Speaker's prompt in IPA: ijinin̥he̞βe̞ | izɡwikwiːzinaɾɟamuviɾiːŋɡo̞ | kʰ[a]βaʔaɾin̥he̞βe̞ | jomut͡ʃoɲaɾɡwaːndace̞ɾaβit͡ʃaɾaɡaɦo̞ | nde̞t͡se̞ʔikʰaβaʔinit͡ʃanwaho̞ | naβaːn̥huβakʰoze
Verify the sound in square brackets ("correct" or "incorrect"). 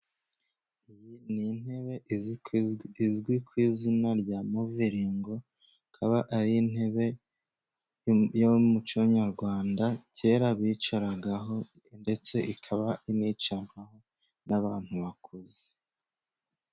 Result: correct